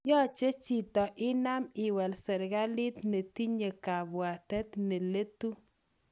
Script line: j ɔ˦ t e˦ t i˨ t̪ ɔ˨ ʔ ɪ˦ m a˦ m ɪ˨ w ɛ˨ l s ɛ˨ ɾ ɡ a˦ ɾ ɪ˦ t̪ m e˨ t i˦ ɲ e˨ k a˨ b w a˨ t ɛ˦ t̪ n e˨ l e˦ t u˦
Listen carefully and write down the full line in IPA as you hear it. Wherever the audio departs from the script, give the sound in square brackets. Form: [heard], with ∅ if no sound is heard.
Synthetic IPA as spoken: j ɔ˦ [t͡ʃ] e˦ [t͡ʃ] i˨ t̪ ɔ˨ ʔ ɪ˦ [n] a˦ m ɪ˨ w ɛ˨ l s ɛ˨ ɾ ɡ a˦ [l] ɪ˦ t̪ [n] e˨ t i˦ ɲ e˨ k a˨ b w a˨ t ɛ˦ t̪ n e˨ l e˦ t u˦